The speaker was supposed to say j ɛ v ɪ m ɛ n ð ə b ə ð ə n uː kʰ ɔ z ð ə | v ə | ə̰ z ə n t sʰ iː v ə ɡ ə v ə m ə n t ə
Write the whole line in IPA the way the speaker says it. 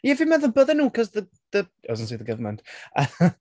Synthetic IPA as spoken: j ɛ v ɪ m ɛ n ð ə b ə ð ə n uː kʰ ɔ z ð ə | ð ə | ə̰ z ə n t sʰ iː ð ə ɡ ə v ə m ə n t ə